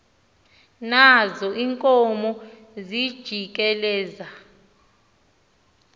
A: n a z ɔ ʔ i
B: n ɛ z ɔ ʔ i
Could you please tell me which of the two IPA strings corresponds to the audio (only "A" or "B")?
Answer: A